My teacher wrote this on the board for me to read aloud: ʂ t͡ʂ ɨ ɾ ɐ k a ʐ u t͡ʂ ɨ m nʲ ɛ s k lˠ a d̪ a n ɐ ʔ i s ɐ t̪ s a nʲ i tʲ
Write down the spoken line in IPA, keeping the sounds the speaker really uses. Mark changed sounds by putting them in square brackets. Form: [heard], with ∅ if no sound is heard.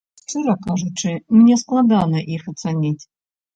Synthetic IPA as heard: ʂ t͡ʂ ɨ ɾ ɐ k a ʐ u t͡ʂ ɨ m nʲ ɛ s k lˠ a d̪ a n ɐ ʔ i [x] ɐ t̪ s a nʲ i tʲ

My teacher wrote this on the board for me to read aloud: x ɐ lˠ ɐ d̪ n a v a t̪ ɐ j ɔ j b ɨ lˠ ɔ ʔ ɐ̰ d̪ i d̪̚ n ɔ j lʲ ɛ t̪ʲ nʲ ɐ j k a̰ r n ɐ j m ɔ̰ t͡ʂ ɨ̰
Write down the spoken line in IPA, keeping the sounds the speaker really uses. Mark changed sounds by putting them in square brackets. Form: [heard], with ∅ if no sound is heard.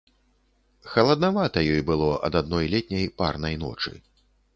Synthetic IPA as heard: x ɐ lˠ ɐ d̪ n a v a t̪ ɐ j ɔ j b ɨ lˠ ɔ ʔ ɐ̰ d̪ [a] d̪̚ n ɔ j lʲ ɛ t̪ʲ nʲ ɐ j [p] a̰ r n ɐ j [n] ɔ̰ t͡ʂ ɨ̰

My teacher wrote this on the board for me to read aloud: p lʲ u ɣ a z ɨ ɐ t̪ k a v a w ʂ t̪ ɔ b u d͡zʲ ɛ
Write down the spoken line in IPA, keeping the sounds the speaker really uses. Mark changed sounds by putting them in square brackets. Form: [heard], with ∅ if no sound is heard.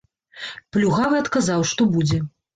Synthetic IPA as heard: p lʲ u ɣ a [v] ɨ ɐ t̪ k a [z] a w ʂ t̪ ɔ b u d͡zʲ ɛ

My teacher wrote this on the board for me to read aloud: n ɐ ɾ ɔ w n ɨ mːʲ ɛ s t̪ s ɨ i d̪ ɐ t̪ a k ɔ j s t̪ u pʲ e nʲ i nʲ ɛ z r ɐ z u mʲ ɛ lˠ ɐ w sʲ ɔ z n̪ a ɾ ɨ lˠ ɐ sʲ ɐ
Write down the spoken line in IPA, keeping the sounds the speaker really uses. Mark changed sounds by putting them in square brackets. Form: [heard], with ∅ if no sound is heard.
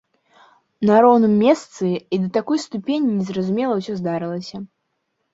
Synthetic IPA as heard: n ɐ ɾ ɔ w n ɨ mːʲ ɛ s t̪ s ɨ i d̪ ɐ t̪ a k ɔ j s t̪ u pʲ e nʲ i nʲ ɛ z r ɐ z u mʲ ɛ lˠ ɐ w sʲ ɔ z [d̪] a ɾ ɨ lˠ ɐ sʲ ɐ

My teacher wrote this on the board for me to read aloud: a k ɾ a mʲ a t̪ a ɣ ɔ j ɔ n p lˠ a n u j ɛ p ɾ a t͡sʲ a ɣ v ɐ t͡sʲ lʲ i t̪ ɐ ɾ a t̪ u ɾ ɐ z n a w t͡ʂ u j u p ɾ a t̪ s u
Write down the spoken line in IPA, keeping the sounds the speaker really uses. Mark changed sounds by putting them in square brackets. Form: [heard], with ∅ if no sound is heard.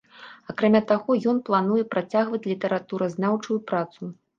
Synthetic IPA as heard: a k ɾ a mʲ a t̪ a ɣ ɔ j ɔ n p lˠ a n u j ɛ p ɾ a t͡sʲ a ɣ v ɐ t͡sʲ lʲ i t̪ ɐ ɾ a t̪ u ɾ ɐ z n a w t͡ʂ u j u p ɾ a t̪ s u

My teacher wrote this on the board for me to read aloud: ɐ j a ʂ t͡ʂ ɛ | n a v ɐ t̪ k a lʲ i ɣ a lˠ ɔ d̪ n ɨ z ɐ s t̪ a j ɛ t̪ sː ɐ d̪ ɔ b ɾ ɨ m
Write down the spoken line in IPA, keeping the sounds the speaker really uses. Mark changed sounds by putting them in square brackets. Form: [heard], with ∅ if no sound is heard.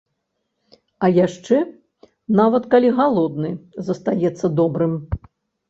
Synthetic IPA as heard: ɐ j a ʂ t͡ʂ ɛ | n a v ɐ t̪ k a lʲ i ɣ a lˠ ɔ d̪ n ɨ z ɐ s t̪ a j ɛ t̪ sː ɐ d̪ ɔ b ɾ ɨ m

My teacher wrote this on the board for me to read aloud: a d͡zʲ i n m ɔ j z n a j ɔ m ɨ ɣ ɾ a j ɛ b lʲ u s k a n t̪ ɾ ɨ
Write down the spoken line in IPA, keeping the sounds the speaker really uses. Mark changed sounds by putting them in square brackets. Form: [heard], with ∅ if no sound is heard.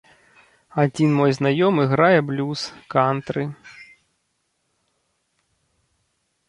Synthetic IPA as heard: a d͡zʲ i n m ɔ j z n a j ɔ m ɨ ɣ ɾ a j ɛ b lʲ u s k a n t̪ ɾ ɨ

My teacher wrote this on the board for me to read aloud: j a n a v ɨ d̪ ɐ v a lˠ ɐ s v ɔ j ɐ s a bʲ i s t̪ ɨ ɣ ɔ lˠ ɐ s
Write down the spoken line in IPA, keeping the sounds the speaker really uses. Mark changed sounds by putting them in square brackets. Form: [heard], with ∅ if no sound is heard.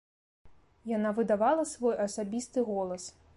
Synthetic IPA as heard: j a n a v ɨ d̪ [a] v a lˠ ɐ s v ɔ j ɐ s a bʲ i s t̪ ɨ ɣ ɔ lˠ ɐ s

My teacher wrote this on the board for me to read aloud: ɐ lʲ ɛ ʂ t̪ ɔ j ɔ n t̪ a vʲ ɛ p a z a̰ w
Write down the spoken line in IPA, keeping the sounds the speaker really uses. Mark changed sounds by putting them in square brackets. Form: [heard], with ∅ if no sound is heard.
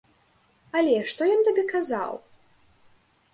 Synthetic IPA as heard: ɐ lʲ ɛ ʂ t̪ ɔ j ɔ n t̪ a [bʲ] ɛ [k] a z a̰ w

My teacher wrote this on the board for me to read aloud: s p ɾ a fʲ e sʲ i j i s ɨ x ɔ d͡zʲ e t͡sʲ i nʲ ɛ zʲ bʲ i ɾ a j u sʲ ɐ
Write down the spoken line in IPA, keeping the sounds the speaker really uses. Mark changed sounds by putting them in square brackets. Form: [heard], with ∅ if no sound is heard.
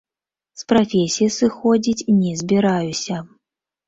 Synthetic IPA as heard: s p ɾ a fʲ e sʲ i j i s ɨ x ɔ d͡zʲ [i] t͡sʲ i nʲ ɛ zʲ bʲ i ɾ a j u sʲ ɐ

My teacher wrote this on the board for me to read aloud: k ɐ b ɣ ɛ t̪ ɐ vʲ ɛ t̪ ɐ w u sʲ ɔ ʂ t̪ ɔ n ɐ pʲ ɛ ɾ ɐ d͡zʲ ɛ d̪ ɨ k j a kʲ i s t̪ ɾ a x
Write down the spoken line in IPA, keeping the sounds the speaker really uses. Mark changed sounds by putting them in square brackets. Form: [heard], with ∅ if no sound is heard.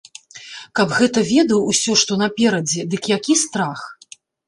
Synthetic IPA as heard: k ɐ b ɣ ɛ t̪ ɐ vʲ ɛ [d̪] ɐ w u sʲ ɔ ʂ t̪ ɔ n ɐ pʲ ɛ ɾ ɐ d͡zʲ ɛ d̪ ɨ k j a kʲ i s t̪ ɾ a x

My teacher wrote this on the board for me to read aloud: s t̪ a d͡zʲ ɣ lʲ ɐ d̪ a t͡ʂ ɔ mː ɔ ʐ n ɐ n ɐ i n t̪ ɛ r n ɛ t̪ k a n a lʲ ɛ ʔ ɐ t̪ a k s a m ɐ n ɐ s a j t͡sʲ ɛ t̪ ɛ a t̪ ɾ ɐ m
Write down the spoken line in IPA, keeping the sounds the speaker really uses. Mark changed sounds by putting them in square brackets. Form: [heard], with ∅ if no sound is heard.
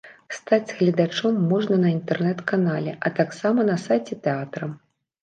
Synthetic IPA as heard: s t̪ a d͡zʲ ɣ lʲ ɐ d̪ a t͡ʂ ɔ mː ɔ ʐ n ɐ n ɐ i n t̪ ɛ r n ɛ t̪ k a n a lʲ ɛ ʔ ɐ t̪ a k s a m ɐ n ɐ s a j t͡sʲ ɛ t̪ ɛ a t̪ ɾ ɐ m

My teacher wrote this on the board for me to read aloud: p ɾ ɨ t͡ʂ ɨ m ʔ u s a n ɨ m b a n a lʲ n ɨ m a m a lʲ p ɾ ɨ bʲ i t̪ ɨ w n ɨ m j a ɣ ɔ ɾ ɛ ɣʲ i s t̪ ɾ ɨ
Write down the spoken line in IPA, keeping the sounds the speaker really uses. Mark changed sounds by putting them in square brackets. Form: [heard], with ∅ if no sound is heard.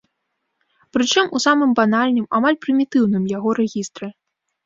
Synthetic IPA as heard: p ɾ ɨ t͡ʂ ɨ m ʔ u s a [m] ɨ m b a n a lʲ n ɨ m a m a lʲ p ɾ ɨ [mʲ] i t̪ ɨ w n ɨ m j a ɣ ɔ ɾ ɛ ɣʲ i s t̪ ɾ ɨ

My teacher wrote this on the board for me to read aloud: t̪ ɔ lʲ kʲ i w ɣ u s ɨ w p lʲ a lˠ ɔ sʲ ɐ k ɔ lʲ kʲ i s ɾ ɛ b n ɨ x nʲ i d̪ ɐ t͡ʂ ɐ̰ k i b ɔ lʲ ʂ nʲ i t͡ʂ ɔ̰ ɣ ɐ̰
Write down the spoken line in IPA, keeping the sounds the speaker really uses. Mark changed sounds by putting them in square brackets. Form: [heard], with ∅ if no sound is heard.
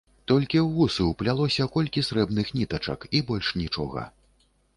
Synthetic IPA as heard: t̪ ɔ lʲ kʲ i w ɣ u s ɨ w p lʲ a lˠ ɔ sʲ ɐ k ɔ lʲ kʲ i s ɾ ɛ b n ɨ x nʲ i [t̪] ɐ t͡ʂ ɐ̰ k i b ɔ lʲ ʂ nʲ i t͡ʂ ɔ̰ ɣ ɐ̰

